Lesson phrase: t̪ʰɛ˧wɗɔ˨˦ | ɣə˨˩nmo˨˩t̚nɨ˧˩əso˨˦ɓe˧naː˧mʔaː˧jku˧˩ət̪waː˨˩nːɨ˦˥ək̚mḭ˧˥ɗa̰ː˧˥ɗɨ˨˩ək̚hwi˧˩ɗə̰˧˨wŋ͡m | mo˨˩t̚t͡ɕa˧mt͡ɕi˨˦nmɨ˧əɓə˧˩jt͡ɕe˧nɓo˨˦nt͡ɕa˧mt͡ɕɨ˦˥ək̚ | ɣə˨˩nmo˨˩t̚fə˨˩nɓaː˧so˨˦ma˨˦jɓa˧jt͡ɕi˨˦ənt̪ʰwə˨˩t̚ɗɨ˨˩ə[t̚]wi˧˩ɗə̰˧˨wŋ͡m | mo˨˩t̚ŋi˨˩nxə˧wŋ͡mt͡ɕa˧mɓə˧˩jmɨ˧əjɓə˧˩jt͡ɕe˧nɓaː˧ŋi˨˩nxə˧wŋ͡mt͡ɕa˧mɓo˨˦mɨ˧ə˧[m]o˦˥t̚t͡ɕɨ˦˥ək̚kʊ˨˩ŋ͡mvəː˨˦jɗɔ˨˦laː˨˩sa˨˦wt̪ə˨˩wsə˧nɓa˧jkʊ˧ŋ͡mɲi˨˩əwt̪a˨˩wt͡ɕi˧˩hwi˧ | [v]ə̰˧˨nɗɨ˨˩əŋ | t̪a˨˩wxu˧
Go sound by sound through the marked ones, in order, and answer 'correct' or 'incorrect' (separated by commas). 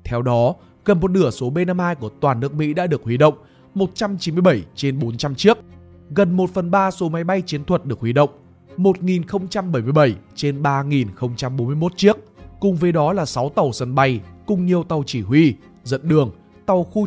incorrect, correct, incorrect